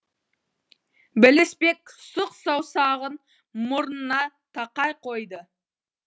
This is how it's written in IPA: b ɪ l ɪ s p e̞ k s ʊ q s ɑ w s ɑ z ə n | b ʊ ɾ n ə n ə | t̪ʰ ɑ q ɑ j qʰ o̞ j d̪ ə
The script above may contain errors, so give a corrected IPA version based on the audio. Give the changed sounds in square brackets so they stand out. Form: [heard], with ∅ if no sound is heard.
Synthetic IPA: b ɪ l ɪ s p e̞ k s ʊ q s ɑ w s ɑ [ʁ] ə n | [m] ʊ ɾ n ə n [ɑ] | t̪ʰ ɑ q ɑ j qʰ o̞ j d̪ ə